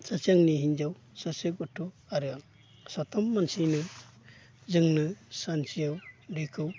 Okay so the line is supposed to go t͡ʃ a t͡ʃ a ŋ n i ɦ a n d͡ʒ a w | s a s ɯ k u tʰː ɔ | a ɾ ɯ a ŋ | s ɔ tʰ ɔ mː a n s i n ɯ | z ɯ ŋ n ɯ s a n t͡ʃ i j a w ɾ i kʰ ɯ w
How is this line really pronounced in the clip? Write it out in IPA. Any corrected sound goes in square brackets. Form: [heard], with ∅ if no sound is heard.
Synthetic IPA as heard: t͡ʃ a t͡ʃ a ŋ n i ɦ [i] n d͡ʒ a w | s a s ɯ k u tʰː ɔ | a ɾ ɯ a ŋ | s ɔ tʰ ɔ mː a n s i n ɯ | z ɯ ŋ n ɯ s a n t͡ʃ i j a w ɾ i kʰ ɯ w